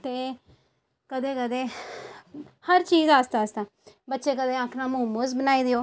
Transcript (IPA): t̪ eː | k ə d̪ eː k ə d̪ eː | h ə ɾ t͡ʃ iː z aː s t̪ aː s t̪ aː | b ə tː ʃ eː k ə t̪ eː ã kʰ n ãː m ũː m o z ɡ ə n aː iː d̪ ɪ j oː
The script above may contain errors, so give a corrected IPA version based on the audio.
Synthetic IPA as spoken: t̪ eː | k ə d̪ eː k ə d̪ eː | h ə ɾ t͡ʃ iː z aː s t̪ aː s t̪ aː | b ə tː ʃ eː k ə d̪ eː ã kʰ n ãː m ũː m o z b ə n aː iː d̪ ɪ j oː